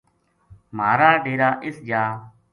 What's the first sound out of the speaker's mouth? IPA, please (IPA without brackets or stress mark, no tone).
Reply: m